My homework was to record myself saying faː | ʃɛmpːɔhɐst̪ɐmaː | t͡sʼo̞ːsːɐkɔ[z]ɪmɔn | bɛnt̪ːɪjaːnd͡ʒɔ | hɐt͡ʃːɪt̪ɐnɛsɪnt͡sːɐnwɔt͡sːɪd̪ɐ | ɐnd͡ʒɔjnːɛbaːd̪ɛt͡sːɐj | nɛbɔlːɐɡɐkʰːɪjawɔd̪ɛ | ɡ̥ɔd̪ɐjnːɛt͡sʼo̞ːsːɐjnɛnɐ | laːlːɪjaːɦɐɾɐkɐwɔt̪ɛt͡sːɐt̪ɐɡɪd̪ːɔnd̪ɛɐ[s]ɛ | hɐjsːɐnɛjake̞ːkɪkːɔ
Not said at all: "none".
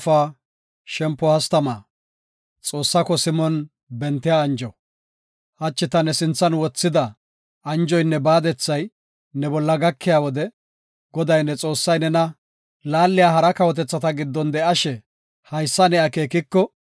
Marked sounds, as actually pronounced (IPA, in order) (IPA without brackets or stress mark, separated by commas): s, ʃ